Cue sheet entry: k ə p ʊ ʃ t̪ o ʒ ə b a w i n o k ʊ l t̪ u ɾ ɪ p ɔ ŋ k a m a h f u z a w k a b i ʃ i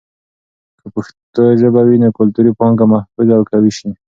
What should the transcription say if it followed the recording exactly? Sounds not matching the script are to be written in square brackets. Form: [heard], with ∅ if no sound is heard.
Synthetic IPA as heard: k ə p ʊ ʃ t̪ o ʒ ə b a w i n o k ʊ l t̪ u ɾ [i] p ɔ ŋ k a m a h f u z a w k a [w] i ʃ i

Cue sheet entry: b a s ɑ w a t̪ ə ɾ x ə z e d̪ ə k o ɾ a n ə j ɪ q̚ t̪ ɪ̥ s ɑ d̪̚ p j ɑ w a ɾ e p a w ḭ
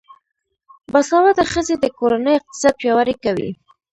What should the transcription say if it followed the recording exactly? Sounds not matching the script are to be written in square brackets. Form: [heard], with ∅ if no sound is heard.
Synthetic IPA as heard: b a s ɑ w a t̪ [a] ɾ x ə z e d̪ ə k o ɾ a n ə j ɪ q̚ t̪ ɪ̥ s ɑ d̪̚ p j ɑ w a ɾ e [k] a w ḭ

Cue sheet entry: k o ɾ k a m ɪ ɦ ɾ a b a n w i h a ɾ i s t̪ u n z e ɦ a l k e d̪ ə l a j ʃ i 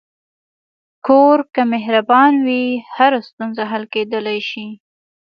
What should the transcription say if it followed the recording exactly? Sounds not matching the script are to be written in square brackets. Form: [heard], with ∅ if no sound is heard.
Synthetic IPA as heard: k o ɾ k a m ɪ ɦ ɾ a b [ɑ] n w i h a ɾ [a] s t̪ u n z [a] ɦ a l k e d̪ ə l a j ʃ i

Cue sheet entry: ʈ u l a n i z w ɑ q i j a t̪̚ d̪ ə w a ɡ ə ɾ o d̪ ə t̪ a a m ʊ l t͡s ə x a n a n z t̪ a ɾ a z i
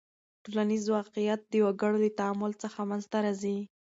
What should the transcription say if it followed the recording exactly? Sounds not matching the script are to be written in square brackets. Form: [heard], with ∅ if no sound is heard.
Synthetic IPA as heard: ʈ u l a n i z w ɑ q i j a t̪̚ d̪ ə w a ɡ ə [ɽ] o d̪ ə t̪ a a m ʊ l t͡s ə x a [m] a n z t̪ a ɾ a z i

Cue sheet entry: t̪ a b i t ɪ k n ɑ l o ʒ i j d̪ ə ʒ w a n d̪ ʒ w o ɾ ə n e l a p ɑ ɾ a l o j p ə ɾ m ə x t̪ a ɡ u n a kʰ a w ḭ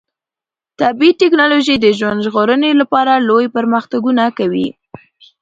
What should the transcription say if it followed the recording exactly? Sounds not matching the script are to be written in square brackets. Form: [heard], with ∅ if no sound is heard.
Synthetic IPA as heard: t̪ a b i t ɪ k n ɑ l o ʒ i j d̪ ə ʒ w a n d̪ ʒ [ɣ] o ɾ ə n e l a p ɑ ɾ a l o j p ə ɾ m ə x t̪ a ɡ u n a [k] a w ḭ

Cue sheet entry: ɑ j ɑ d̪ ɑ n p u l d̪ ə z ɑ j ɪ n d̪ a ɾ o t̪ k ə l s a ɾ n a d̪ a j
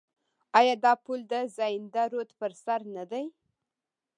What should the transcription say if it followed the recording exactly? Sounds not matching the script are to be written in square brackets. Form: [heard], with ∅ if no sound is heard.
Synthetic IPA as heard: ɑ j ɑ d̪ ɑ [∅] p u l d̪ ə z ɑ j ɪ n d̪ a ɾ o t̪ [p] ə [ɾ] s a ɾ n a d̪ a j

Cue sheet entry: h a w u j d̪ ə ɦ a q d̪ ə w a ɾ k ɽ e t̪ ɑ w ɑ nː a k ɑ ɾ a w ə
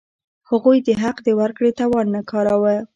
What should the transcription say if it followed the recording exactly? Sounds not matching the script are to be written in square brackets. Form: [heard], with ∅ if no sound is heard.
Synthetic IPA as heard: h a [ɣ] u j d̪ ə ɦ a q d̪ ə w a ɾ k ɽ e t̪ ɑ w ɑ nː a k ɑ ɾ a w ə

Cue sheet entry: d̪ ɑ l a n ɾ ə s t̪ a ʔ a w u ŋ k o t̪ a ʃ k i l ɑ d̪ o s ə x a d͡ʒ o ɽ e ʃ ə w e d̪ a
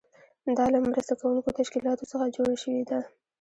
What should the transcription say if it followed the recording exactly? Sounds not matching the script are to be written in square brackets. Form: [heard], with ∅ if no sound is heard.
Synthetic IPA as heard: d̪ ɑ l a [m] ɾ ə s t̪ a [k] a w u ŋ k o t̪ a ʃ k i l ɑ [t̪] o s ə x a d͡ʒ o ɽ [a] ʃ ə w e d̪ a

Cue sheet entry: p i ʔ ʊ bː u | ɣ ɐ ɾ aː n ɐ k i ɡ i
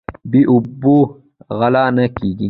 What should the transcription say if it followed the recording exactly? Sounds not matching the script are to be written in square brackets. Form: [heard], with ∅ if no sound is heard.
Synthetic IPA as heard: [b] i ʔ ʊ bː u | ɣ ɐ [l] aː n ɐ k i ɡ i

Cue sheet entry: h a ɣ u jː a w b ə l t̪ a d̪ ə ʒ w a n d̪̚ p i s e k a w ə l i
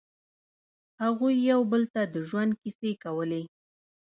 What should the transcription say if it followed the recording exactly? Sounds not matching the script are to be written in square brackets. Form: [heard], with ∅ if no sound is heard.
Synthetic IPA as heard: h a ɣ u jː a w b ə l t̪ a d̪ ə ʒ w a n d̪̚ [k] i s e k a w ə l [e]

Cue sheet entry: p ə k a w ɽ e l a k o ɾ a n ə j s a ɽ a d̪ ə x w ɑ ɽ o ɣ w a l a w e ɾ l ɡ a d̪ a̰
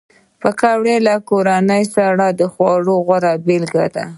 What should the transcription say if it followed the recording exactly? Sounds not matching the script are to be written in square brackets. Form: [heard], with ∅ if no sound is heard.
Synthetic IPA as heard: p ə k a w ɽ e l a k o ɾ a n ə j s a ɽ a d̪ ə x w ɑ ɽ o ɣ w a [ɾ] a [b] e [∅] l ɡ a d̪ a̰

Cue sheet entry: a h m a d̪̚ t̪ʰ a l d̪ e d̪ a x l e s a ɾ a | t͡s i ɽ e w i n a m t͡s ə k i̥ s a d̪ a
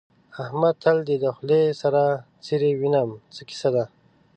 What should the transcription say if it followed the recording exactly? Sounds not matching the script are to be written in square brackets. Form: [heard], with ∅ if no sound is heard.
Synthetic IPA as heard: a h m a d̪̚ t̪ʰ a l d̪ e d̪ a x l e s a ɾ a | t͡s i [ɾ] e w i n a m t͡s ə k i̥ s a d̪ a

